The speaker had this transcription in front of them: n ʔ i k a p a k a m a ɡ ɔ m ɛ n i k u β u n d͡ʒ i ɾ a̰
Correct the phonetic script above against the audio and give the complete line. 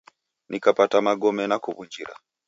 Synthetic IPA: n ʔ i k a p a t a m a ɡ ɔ m ɛ n a k u β u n d͡ʒ i ɾ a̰